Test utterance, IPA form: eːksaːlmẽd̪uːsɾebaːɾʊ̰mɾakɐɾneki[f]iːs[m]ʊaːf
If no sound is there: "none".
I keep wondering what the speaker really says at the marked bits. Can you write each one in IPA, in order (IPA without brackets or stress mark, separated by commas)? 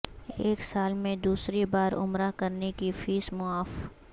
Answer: f, m